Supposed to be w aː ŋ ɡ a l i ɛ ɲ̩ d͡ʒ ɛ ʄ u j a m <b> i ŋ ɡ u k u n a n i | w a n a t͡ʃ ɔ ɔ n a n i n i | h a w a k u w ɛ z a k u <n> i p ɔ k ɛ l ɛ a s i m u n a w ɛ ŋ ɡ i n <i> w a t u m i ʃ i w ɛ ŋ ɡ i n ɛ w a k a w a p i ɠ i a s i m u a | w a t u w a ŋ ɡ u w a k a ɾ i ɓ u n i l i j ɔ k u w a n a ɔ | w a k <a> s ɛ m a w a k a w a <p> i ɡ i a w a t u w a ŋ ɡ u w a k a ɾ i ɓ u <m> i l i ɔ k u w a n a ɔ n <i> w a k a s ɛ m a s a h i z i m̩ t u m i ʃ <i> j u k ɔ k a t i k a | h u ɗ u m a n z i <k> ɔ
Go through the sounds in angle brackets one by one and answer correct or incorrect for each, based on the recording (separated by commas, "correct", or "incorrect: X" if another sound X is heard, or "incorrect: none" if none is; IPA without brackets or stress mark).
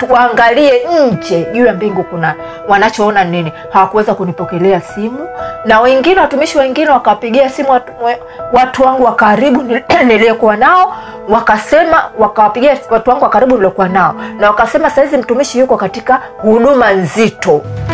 correct, correct, incorrect: ɛ, correct, correct, incorrect: n, incorrect: a, correct, incorrect: t